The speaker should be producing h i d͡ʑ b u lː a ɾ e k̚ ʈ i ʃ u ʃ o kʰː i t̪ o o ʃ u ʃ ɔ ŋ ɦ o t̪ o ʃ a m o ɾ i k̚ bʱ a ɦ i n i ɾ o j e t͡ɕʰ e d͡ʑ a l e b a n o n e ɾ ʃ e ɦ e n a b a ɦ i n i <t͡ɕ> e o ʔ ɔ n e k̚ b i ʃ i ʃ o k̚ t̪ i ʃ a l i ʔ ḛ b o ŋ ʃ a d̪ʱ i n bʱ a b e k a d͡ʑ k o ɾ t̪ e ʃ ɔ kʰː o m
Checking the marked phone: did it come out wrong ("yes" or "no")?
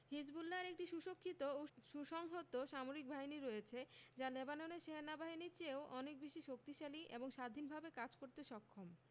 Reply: no